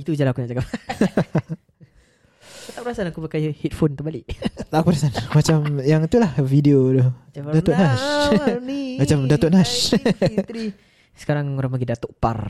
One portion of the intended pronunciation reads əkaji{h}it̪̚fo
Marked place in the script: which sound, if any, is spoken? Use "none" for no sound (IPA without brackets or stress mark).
h